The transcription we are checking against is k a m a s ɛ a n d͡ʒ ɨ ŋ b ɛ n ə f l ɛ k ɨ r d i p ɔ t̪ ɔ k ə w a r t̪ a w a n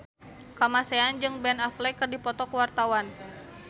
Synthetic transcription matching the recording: k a m a s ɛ a n d͡ʒ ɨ ŋ b ɛ n a f l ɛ k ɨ r d i p ɔ t̪ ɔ k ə w a r t̪ a w a n